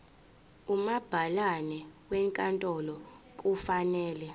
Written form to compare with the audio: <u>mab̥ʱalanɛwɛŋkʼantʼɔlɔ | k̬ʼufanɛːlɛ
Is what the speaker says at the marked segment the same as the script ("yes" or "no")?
yes